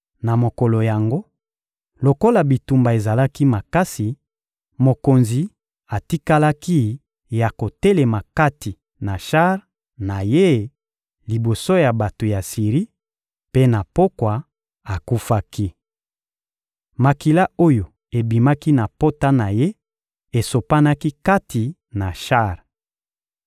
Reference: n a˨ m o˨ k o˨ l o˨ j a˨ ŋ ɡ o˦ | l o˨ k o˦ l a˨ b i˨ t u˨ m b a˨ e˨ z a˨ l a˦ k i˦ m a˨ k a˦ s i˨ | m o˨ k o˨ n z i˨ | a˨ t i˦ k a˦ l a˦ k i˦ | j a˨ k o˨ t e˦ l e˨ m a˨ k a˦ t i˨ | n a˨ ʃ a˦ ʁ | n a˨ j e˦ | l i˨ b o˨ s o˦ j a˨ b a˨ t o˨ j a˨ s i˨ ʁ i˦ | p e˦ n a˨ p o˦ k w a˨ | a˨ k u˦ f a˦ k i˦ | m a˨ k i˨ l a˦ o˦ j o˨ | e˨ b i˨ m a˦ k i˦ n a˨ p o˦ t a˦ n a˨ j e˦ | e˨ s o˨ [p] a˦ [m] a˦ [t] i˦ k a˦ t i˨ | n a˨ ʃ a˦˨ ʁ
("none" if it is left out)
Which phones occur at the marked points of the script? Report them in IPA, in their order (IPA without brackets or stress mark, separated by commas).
p, n, k